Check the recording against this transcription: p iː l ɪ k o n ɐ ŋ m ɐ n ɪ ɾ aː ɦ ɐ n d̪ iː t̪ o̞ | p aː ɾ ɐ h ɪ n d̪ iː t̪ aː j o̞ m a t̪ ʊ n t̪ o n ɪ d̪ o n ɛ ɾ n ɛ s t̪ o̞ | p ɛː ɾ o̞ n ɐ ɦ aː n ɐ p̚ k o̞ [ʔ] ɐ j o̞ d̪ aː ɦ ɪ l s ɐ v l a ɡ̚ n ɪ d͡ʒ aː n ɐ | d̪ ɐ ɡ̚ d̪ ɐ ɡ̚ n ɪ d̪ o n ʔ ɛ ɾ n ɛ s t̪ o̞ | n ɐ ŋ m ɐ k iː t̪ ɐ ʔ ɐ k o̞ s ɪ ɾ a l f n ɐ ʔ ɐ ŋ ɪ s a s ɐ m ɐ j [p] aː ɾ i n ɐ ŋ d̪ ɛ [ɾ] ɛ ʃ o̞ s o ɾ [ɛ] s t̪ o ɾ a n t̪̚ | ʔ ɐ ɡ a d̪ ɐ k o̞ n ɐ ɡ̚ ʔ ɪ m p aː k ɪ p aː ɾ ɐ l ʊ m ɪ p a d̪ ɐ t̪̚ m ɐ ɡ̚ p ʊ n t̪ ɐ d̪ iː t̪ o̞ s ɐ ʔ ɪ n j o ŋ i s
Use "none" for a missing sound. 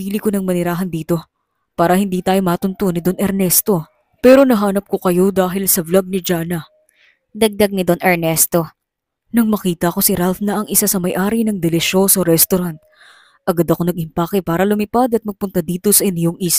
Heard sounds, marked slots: k, ʔ, l, ɛ

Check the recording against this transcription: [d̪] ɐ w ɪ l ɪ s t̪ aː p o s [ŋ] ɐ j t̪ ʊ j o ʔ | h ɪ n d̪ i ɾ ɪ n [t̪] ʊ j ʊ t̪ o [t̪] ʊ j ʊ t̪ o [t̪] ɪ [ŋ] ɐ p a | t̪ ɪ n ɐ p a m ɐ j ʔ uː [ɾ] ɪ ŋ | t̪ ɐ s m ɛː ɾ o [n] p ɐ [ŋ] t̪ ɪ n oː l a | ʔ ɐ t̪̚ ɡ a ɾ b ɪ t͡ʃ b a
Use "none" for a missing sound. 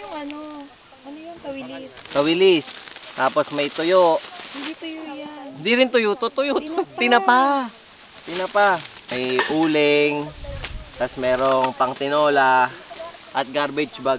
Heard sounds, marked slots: t̪, m, t̪, t̪, t̪, n, l, ŋ, ŋ

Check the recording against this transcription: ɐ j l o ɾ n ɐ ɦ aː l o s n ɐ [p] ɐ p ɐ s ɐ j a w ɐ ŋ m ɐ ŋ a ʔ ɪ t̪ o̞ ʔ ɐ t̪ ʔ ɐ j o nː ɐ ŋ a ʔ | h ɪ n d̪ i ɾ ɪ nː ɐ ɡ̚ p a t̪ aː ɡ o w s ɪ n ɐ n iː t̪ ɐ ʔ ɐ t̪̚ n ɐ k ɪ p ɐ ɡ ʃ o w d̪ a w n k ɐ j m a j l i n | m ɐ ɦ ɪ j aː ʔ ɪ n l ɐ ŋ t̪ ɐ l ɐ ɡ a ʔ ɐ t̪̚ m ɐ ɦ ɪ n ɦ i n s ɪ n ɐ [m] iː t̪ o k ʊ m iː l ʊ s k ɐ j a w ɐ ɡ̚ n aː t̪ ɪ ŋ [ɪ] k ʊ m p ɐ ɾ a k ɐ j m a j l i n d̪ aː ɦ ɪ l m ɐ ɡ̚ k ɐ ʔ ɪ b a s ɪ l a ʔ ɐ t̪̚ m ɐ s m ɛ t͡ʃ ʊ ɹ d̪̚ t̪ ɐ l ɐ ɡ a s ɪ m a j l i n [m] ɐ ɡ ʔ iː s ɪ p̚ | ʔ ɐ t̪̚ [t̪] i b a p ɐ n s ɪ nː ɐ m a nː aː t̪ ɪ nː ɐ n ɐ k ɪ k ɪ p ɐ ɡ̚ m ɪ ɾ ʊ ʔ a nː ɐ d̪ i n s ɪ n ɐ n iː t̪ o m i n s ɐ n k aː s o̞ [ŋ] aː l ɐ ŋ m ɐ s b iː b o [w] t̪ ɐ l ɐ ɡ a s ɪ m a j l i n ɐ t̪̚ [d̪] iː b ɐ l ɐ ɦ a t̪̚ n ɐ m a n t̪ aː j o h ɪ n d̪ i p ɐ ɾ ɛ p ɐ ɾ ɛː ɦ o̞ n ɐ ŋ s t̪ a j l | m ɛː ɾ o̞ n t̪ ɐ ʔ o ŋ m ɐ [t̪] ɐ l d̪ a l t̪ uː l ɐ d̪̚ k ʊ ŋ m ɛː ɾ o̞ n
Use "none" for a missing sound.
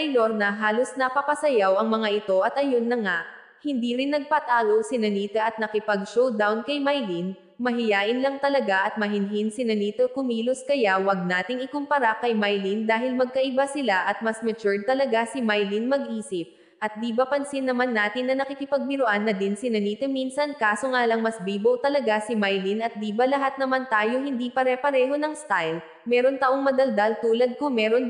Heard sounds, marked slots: p, n, ɪ, m, d̪, ŋ, w, d̪, d̪

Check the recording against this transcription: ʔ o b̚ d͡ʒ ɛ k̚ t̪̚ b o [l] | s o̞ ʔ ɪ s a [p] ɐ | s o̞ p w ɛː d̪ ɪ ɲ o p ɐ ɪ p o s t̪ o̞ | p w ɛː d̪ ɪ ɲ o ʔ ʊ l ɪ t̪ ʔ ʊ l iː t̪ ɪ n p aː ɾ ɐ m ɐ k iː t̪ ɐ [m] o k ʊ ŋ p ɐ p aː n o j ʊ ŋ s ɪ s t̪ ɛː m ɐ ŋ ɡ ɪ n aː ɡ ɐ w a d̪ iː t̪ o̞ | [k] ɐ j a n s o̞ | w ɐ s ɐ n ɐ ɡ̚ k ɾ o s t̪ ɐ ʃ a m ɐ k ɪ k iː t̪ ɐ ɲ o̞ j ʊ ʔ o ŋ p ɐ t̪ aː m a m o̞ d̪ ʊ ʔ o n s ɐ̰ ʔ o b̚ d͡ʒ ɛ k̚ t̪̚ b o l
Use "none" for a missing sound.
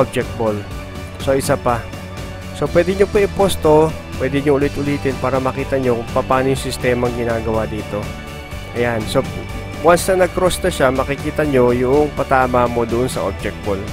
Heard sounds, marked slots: l, p, ɲ, ʔ

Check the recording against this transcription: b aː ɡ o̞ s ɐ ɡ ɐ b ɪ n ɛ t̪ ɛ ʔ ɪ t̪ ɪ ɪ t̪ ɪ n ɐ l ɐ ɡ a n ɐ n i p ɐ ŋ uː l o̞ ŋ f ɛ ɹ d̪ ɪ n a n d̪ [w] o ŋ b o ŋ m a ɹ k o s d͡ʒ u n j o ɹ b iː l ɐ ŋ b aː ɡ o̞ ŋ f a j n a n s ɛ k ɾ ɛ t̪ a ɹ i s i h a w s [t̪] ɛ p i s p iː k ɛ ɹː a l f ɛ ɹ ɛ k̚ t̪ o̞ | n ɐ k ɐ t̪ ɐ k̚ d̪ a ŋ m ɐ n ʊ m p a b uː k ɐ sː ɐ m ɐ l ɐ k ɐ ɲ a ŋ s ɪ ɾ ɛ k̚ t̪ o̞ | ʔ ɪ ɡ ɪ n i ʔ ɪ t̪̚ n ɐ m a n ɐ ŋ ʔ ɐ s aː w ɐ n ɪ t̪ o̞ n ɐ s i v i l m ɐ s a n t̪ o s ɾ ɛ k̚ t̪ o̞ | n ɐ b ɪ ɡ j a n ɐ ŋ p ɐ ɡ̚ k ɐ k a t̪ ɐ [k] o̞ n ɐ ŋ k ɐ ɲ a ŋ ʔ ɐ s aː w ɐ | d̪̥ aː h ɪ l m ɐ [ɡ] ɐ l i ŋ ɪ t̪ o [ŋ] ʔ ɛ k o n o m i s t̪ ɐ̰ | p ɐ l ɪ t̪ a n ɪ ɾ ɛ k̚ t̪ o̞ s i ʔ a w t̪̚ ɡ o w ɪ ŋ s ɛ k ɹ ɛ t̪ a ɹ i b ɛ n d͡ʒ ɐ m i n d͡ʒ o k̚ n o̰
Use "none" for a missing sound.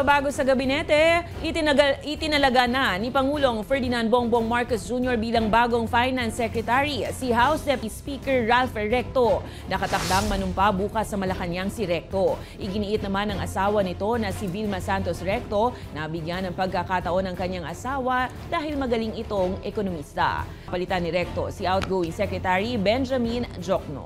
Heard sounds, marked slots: b, d̪, ʔ, ɡ, ŋ

